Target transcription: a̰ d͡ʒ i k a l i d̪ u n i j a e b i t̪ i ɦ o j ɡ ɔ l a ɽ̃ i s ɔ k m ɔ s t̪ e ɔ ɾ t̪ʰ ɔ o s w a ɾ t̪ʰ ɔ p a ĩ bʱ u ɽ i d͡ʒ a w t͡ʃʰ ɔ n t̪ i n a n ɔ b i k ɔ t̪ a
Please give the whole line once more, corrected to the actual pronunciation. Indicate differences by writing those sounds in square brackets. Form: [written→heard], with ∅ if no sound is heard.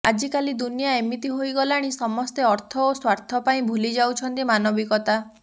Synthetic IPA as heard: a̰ d͡ʒ i k a l i d̪ u n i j a e [b→m] i t̪ i ɦ o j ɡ ɔ l a ɽ̃ i s ɔ [k→∅] m ɔ s t̪ e ɔ ɾ t̪ʰ ɔ o s w a ɾ t̪ʰ ɔ p a ĩ bʱ u [ɽ→l] i d͡ʒ a w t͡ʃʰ ɔ n t̪ i [n→m] a n ɔ b i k ɔ t̪ a

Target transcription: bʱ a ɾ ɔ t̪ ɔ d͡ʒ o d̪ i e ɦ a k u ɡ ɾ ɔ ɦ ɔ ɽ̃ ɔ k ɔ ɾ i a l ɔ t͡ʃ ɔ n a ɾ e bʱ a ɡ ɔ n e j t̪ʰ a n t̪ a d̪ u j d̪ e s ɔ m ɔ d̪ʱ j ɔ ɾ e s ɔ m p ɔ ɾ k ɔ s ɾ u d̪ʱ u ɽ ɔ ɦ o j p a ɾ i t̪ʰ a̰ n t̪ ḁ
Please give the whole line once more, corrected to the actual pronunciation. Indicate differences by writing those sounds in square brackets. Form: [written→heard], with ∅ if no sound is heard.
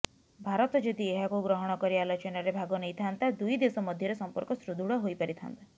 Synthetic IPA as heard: bʱ a ɾ ɔ t̪ ɔ d͡ʒ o d̪ i e ɦ a k u ɡ ɾ ɔ ɦ ɔ ɽ̃ ɔ k ɔ ɾ i a l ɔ t͡ʃ ɔ n a ɾ e bʱ a ɡ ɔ n e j t̪ʰ a n t̪ a d̪ u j d̪ e s ɔ m ɔ d̪ʱ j ɔ ɾ e s ɔ m p ɔ ɾ k ɔ s ɾ u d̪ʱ u ɽ ɔ ɦ o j p a ɾ i t̪ʰ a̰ n t̪ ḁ

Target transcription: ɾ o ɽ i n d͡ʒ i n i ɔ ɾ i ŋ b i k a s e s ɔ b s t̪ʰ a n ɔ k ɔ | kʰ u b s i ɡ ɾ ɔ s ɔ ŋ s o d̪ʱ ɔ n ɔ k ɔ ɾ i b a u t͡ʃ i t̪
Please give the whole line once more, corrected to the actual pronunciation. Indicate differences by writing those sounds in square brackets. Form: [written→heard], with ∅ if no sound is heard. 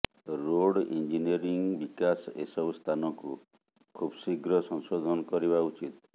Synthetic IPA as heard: ɾ o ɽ i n d͡ʒ i n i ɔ ɾ i ŋ b i k a s e s ɔ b s t̪ʰ a n ɔ k [ɔ→u] | kʰ u b s i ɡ ɾ ɔ s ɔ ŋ s o d̪ʱ ɔ n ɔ k ɔ ɾ i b a u t͡ʃ i t̪

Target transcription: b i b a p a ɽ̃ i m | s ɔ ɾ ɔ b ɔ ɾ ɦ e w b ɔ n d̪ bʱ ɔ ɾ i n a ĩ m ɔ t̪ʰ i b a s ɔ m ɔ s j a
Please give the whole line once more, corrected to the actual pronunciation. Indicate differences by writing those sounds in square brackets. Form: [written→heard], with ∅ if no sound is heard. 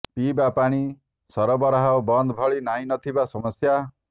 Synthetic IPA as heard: [b→p] i b a p a ɽ̃ i [m→∅] | s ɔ ɾ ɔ b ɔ ɾ ɦ [e→a] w b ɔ n d̪ bʱ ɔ [ɾ→ɭ] i n a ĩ [m→n] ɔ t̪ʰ i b a s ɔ m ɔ s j a

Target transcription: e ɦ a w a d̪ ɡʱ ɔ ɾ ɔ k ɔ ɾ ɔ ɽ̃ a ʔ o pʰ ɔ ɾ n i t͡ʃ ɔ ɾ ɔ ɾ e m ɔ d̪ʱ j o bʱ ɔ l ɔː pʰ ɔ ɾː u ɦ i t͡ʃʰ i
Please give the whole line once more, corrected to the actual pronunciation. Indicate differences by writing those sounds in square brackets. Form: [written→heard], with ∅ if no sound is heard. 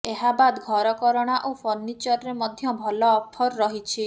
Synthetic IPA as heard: e ɦ a [w→b] a d̪ ɡʱ ɔ ɾ ɔ k ɔ ɾ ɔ ɽ̃ a ʔ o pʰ ɔ ɾ n i t͡ʃ ɔ ɾ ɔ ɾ e m ɔ d̪ʱ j [o→ɔ] bʱ ɔ l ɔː pʰ ɔ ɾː [u→ɔ] ɦ i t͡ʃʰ i

